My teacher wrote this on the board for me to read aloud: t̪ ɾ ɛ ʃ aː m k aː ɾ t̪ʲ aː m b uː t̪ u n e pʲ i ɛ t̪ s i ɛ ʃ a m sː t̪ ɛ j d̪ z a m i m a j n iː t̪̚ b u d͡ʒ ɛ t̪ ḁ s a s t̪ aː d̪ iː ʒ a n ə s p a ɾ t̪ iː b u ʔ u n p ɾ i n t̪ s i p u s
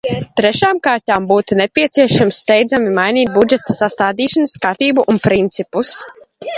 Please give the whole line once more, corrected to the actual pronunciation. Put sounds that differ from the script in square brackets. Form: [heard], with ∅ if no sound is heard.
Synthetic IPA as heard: t̪ ɾ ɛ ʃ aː m k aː ɾ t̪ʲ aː m b uː t̪ u n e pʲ i ɛ t̪ s i ɛ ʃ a m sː t̪ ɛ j d̪ z a m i m a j n iː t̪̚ b u d͡ʒ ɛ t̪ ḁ s a s t̪ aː d̪ iː [ʃ] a n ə s [k] a ɾ t̪ iː b u ʔ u n p ɾ i n t̪ s i p u s